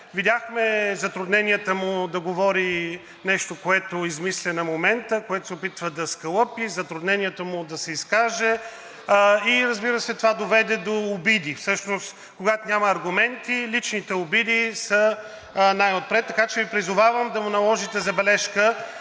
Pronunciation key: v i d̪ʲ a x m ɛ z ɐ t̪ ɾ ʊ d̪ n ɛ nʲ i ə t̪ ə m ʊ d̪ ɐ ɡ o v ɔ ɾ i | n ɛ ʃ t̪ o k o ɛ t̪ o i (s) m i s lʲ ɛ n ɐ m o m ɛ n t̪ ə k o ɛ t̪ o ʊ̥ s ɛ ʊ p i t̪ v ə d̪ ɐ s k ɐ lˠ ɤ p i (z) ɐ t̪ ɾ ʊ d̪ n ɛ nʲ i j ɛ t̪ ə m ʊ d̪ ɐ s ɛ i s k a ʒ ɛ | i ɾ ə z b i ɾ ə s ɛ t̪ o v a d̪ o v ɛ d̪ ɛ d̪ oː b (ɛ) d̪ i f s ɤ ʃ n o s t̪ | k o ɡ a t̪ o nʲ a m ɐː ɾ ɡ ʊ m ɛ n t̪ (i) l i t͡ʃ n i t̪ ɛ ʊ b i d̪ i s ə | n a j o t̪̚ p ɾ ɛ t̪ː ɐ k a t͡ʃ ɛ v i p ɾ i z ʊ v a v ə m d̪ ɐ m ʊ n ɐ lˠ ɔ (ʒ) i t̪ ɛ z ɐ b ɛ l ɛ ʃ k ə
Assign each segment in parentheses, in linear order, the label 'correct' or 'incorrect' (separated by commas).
incorrect, correct, incorrect, correct, correct